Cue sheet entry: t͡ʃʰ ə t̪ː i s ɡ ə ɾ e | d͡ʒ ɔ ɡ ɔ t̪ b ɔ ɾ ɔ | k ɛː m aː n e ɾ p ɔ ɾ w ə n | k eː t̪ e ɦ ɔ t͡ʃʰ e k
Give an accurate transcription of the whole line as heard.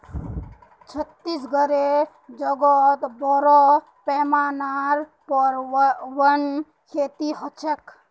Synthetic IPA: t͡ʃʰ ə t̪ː i s ɡ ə ɾ e | d͡ʒ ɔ ɡ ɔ t̪ b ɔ ɾ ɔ | p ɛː m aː n a ɾ p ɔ ɾ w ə n | kʰ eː t̪ i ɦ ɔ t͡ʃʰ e k